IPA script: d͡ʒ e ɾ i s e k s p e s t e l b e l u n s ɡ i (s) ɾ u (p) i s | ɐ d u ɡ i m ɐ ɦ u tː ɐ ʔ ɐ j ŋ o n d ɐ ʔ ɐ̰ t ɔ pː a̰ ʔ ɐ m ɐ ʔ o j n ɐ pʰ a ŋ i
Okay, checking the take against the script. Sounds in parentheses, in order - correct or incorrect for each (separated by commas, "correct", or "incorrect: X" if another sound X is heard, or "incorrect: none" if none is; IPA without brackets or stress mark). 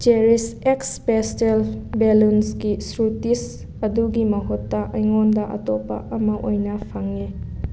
correct, incorrect: t